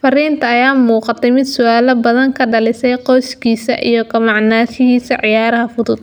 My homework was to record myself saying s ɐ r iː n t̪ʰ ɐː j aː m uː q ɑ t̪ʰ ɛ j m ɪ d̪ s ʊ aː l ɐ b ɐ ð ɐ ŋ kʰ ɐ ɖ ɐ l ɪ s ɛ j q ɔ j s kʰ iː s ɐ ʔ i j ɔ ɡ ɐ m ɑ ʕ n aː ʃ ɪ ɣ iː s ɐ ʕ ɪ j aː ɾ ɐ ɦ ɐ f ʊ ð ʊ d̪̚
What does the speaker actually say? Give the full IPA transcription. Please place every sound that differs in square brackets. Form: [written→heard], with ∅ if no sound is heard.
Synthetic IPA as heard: [s→f] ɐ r iː n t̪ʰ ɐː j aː m uː q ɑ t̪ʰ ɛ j m ɪ d̪ s ʊ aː l ɐ b ɐ ð ɐ ŋ kʰ ɐ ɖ ɐ l ɪ s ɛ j q ɔ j s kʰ iː s ɐ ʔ i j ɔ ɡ ɐ m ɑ ʕ n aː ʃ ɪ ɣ iː s ɐ ʕ ɪ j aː ɾ ɐ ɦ ɐ f ʊ ð ʊ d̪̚